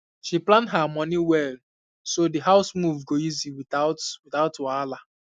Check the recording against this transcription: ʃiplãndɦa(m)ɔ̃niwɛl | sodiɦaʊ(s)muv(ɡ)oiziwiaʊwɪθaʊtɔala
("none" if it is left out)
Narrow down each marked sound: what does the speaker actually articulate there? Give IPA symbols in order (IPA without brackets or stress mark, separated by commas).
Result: m, s, ɡ